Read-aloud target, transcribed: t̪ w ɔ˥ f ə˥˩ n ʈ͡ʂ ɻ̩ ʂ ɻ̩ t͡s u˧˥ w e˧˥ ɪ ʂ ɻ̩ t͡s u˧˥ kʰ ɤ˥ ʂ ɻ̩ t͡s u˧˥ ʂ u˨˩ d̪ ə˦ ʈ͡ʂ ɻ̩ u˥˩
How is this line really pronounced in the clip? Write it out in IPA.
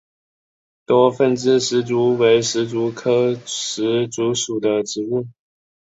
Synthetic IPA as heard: t̪ w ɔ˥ f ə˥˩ n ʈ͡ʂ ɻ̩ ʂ ɻ̩ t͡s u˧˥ w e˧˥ ɪ ʂ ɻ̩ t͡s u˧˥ kʰ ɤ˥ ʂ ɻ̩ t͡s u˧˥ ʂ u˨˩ d̪ ə˦ ʈ͡ʂ ɻ̩ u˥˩